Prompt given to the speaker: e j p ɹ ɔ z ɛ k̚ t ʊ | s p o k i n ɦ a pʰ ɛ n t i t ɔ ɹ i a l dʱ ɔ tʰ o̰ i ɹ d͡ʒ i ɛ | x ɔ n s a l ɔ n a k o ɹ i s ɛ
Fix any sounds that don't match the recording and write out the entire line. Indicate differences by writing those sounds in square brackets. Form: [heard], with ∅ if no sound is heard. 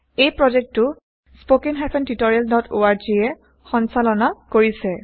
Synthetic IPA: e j p ɹ ɔ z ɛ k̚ t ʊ | s p o k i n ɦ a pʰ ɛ n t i t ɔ ɹ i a l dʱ ɔ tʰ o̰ [a] ɹ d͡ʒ i ɛ | x ɔ n s a l ɔ n a k o ɹ i s ɛ